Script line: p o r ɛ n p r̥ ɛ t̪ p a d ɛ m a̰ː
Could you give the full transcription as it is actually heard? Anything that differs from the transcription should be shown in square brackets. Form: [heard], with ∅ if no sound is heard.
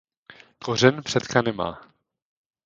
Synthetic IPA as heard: [k] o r ɛ n p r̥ ɛ t̪ [k] a [n] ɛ m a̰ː